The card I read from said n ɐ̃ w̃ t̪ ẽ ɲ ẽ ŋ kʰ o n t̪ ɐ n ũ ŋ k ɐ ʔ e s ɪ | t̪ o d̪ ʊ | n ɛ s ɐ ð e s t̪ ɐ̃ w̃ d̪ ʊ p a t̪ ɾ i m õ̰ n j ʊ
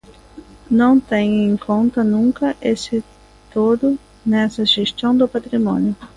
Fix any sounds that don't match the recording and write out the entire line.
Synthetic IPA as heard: n ɐ̃ w̃ t̪ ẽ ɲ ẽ ŋ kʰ õ n t̪ ɐ n ũ ŋ k ɐ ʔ e s ɪ | t̪ o d̪ ʊ | n ɛ s ɐ ʒ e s t̪ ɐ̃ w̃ d̪ ʊ p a t̪ ɾ i m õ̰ n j ʊ